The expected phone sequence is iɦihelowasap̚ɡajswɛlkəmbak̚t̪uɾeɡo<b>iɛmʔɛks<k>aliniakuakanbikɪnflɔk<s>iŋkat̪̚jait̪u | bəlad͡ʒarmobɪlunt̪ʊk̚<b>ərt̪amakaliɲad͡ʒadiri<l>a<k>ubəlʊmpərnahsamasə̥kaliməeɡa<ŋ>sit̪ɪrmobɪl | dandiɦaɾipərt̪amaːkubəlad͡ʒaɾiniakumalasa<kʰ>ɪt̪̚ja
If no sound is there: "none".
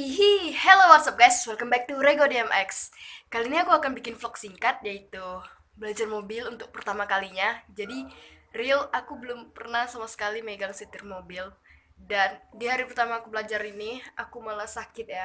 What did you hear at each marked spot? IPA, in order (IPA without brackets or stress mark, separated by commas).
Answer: d, k, s, p, l, k, ŋ, k